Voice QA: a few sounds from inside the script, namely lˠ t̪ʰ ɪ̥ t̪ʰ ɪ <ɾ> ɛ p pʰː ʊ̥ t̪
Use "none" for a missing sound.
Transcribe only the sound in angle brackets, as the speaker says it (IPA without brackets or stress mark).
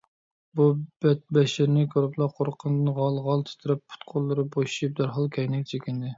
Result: ɾ